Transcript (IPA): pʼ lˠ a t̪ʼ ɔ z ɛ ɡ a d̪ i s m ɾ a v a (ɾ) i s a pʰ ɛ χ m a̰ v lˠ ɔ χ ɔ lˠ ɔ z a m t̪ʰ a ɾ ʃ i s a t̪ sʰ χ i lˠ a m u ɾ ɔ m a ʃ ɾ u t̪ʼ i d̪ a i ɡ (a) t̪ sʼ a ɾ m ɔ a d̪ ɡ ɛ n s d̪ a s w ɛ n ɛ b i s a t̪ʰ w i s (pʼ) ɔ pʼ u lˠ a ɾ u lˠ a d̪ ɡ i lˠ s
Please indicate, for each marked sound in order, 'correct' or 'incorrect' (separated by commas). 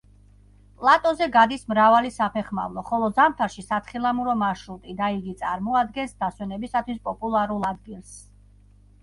incorrect, incorrect, correct